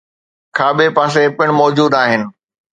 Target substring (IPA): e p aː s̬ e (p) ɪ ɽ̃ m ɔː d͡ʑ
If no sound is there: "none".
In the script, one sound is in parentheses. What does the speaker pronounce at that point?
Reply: p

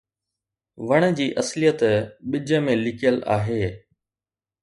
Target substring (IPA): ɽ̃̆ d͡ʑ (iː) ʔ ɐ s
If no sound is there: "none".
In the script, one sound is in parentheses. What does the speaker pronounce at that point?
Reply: iː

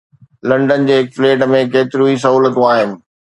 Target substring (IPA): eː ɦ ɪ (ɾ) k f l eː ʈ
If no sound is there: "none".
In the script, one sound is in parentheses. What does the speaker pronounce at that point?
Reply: none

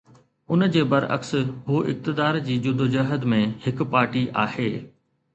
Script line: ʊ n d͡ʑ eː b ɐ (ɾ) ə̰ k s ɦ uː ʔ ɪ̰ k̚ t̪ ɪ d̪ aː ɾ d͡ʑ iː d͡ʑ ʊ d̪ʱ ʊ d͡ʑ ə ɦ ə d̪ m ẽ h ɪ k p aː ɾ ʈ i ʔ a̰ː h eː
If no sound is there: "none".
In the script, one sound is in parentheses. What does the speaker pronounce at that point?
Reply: ɾ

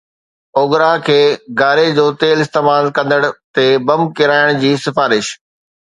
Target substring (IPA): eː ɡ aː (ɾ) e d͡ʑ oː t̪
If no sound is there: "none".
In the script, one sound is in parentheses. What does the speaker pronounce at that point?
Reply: ɾ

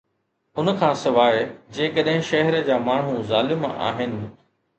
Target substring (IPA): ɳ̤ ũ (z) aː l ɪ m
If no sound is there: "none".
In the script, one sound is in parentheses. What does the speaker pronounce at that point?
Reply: z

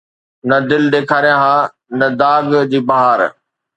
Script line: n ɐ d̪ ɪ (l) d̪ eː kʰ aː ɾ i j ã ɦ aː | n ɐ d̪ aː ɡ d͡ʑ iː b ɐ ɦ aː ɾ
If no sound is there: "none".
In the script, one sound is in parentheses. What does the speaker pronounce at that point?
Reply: l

